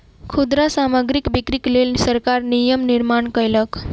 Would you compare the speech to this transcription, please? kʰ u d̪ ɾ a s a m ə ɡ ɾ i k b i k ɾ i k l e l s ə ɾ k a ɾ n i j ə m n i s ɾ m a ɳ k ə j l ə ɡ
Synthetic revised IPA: kʰ u d̪ ɾ a s a m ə ɡ ɾ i k b i k ɾ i k l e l s ə ɾ k a ɾ n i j ə m n i ɾ m a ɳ k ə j l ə k